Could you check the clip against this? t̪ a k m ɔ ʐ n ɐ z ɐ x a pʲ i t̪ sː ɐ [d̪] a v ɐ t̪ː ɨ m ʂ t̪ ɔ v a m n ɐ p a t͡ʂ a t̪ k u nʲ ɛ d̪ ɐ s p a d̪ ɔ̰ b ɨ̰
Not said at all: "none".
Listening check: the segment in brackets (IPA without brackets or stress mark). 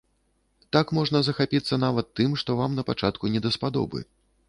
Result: n̪